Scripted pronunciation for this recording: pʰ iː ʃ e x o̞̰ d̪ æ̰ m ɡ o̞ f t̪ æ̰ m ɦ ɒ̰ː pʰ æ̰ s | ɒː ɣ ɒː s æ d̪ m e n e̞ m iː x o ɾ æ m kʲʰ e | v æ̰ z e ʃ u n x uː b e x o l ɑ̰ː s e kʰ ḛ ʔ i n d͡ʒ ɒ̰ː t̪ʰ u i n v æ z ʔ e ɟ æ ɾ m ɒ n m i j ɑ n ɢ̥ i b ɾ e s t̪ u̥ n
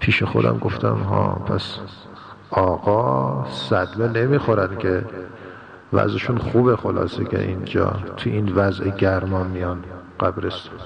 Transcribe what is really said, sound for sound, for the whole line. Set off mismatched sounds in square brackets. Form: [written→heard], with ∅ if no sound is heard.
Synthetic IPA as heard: pʰ iː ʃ e x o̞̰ d̪ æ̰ m ɡ o̞ f t̪ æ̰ m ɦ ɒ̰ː pʰ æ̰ s | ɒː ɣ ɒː s æ d̪ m e n e̞ m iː x o ɾ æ [m→n] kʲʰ e | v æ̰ z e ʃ u n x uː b e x o l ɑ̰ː s e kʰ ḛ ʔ i n d͡ʒ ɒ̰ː t̪ʰ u i n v æ z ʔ e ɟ æ ɾ m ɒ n m i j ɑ n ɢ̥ [i→æ] b ɾ e s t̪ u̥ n